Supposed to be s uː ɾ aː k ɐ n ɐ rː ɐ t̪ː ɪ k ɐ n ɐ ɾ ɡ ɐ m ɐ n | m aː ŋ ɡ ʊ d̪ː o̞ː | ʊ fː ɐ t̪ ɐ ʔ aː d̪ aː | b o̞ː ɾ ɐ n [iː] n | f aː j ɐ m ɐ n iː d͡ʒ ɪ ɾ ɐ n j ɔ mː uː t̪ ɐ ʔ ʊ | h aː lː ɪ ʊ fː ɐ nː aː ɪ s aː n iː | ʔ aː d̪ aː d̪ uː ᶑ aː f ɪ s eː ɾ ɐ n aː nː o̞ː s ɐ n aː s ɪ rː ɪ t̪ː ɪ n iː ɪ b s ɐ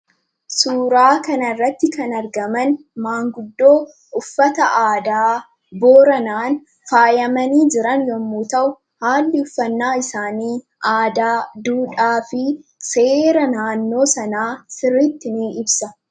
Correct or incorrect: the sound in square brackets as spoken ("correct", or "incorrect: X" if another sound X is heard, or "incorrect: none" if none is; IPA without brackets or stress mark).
incorrect: aː